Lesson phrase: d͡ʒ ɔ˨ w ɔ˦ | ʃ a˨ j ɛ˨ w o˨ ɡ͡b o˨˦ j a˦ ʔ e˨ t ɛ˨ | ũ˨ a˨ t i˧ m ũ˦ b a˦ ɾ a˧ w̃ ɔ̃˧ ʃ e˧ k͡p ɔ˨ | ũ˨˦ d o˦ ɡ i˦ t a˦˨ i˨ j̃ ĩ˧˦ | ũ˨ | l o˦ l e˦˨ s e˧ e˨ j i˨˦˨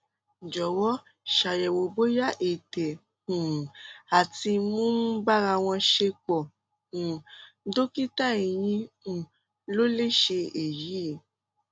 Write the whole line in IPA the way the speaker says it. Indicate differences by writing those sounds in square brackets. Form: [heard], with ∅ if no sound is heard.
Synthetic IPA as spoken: d͡ʒ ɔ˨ w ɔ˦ | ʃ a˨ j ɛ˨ w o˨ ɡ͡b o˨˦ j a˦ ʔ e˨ t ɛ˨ | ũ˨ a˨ t i˧ m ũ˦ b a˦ ɾ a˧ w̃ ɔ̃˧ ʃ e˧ k͡p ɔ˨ | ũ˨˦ d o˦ [k] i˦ t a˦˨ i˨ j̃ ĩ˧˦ | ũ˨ | l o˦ l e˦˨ [ʃ] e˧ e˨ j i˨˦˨

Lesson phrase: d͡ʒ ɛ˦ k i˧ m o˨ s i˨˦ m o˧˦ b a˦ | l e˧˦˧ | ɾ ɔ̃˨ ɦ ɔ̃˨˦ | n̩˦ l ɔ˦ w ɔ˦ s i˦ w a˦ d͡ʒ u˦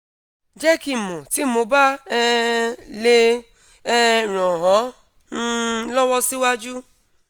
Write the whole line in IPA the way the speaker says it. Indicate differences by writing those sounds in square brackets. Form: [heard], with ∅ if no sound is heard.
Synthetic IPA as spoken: d͡ʒ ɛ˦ k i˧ m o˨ [t] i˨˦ m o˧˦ b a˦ | l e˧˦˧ | ɾ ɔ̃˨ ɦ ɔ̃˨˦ | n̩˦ l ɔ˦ w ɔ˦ s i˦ w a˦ d͡ʒ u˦

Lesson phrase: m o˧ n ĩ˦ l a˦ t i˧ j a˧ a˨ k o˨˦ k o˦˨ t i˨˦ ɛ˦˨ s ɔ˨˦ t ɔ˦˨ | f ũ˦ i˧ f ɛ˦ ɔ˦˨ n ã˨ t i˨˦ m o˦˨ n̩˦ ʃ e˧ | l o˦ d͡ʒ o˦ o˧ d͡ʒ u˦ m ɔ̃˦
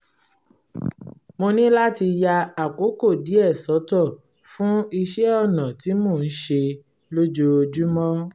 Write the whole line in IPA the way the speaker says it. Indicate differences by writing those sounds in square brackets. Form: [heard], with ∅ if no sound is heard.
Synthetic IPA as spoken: m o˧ n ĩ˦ l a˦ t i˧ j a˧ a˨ k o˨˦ k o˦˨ [d] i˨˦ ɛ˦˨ s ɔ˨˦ t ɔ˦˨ | f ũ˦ i˧ [ʃ] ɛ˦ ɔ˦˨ n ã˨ t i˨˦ m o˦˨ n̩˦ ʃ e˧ | l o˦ d͡ʒ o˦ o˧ d͡ʒ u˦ m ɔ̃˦

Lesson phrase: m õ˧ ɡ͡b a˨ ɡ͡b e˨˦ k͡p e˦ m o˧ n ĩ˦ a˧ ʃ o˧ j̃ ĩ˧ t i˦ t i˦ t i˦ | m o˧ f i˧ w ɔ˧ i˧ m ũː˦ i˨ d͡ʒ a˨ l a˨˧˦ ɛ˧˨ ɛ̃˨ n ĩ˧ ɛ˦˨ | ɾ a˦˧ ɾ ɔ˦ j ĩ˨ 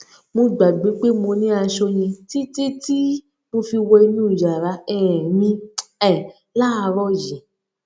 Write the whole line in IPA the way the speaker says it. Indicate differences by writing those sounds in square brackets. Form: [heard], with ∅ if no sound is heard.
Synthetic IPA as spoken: m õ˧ ɡ͡b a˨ ɡ͡b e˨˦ k͡p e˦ m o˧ n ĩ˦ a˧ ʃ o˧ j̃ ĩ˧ t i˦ t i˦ t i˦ | m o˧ f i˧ w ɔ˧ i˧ [n] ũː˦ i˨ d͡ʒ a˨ [ɾ] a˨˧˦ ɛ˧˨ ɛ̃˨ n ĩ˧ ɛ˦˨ | [l] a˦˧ ɾ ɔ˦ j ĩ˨

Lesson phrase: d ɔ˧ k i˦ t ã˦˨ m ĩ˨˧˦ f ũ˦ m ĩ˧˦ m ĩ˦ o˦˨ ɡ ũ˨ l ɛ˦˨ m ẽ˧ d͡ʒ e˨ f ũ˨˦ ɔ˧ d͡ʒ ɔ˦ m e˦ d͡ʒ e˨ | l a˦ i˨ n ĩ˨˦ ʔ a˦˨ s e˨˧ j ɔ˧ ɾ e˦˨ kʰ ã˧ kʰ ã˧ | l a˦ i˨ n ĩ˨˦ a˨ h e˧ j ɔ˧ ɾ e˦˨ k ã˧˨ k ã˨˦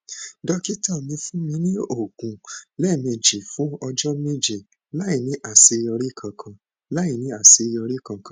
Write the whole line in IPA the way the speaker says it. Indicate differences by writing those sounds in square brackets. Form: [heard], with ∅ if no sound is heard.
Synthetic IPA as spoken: d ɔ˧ k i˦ t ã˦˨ m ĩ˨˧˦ f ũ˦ m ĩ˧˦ [n] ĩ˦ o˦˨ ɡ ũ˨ l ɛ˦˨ m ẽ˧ d͡ʒ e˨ f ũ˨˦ ɔ˧ d͡ʒ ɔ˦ m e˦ d͡ʒ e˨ | l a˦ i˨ n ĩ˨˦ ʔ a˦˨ s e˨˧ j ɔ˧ ɾ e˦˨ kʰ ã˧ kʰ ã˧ | l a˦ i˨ n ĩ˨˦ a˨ [s] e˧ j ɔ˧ ɾ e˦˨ k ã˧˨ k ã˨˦

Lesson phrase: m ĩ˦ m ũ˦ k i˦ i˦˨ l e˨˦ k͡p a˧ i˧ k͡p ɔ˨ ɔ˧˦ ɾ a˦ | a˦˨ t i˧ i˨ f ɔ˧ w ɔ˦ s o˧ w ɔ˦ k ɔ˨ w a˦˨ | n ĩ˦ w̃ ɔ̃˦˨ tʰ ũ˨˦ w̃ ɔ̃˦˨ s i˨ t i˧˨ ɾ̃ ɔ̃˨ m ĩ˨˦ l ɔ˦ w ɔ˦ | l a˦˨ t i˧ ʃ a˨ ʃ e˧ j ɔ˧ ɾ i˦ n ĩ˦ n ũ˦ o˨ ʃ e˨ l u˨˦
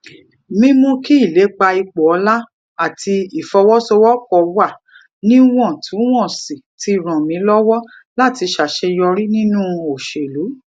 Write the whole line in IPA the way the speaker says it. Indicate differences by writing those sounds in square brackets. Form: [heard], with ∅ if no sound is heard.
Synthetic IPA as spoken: m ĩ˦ m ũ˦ k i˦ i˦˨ l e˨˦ k͡p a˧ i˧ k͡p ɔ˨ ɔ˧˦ [l] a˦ | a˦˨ t i˧ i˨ f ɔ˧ w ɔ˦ s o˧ w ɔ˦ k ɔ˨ w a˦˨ | n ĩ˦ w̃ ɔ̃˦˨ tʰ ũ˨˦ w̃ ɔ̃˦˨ s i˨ t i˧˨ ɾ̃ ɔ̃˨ m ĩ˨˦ l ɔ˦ w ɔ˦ | l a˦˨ t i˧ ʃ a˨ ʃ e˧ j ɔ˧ ɾ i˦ n ĩ˦ n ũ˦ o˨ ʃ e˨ l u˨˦

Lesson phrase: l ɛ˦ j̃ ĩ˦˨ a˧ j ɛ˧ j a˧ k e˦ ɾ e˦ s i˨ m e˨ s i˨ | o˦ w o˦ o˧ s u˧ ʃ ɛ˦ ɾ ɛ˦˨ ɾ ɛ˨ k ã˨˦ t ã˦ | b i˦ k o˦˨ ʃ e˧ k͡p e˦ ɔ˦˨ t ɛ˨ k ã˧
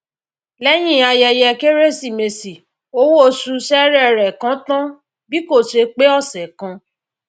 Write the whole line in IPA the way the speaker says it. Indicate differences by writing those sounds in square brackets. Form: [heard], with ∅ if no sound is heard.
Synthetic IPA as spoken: l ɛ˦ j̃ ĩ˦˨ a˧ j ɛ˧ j [ɛ˧] k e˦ ɾ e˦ s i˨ m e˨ s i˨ | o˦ w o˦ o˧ s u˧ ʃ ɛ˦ ɾ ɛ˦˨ ɾ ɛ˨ k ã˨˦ t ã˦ | b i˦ k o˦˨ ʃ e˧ k͡p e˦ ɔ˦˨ [s] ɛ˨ k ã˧

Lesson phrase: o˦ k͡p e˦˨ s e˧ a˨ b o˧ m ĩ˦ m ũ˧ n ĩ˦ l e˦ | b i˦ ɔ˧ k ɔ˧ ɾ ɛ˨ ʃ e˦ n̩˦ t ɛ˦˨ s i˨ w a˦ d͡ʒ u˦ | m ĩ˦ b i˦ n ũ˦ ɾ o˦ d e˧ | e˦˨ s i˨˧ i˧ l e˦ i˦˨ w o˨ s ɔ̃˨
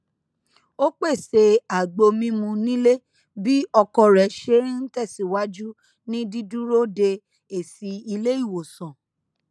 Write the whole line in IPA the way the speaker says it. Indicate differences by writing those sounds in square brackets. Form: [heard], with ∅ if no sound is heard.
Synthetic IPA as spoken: o˦ k͡p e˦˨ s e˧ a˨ [ɡ͡b] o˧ m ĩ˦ m ũ˧ n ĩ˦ l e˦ | b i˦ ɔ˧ k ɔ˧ ɾ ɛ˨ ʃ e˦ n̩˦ t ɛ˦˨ s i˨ w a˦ d͡ʒ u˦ | [n] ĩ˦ [d] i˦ [d] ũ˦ ɾ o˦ d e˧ | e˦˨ s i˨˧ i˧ l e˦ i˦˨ w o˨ s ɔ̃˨

